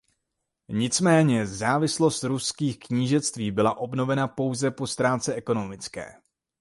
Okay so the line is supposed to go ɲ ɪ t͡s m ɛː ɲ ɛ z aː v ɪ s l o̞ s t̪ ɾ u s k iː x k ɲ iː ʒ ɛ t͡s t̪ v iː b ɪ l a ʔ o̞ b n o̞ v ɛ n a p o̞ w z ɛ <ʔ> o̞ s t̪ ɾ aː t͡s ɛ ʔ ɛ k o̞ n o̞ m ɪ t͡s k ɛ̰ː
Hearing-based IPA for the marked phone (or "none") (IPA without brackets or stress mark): p